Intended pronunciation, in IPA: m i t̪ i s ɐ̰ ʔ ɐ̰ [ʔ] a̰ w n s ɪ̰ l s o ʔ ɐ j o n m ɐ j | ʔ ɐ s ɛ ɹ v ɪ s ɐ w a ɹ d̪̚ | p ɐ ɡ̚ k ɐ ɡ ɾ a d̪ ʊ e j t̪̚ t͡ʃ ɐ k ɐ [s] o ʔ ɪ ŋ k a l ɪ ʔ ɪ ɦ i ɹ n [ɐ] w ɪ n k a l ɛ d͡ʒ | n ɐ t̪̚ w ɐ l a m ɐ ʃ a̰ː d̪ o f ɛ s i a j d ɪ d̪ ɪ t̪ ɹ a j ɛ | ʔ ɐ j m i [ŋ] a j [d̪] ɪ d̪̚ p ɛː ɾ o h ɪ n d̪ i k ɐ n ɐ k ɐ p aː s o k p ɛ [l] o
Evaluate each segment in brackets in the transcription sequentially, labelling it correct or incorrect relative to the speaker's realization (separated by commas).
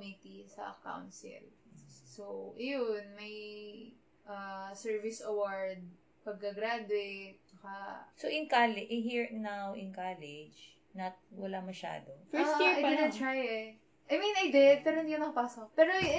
incorrect, correct, incorrect, incorrect, correct, incorrect